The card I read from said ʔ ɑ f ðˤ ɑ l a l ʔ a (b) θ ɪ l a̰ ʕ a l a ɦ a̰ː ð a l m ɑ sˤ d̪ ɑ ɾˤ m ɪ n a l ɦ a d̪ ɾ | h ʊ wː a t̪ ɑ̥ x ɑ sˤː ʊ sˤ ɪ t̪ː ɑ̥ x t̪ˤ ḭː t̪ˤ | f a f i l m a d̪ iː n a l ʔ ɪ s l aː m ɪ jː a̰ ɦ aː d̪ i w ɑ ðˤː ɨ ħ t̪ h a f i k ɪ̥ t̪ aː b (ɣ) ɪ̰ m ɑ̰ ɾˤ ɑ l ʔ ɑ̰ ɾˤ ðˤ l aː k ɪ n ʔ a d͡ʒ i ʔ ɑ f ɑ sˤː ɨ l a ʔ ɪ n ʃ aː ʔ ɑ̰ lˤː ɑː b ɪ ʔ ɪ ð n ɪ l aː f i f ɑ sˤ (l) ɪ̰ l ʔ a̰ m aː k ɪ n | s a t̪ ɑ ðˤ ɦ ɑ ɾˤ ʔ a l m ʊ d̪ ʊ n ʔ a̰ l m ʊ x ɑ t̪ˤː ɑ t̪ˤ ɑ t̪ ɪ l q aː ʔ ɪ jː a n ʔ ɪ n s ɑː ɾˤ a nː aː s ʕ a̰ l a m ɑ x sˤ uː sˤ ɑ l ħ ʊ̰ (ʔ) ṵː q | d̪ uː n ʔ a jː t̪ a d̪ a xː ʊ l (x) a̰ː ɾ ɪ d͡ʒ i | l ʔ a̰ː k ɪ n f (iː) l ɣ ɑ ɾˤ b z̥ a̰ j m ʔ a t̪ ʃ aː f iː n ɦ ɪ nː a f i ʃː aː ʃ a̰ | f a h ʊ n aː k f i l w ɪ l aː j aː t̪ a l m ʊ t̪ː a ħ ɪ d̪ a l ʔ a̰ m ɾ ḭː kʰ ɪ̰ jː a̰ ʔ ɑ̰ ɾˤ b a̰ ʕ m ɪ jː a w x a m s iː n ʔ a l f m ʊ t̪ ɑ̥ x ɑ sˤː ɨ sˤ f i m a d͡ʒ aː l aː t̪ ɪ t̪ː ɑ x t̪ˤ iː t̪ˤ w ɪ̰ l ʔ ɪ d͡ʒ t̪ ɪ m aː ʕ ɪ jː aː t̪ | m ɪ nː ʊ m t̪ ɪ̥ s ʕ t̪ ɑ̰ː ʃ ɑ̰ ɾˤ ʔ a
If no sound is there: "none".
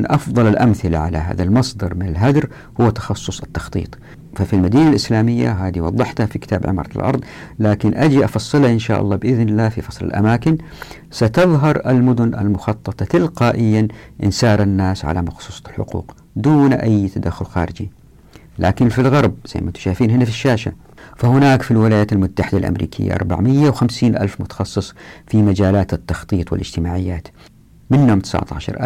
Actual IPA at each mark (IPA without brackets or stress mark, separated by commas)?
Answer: m, ʕ, l, q, x, i